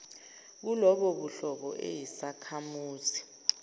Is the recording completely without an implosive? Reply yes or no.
no